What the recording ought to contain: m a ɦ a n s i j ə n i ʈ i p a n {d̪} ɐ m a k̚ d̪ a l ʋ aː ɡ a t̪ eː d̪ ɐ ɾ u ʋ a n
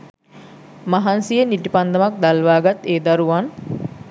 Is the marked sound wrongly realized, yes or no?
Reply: no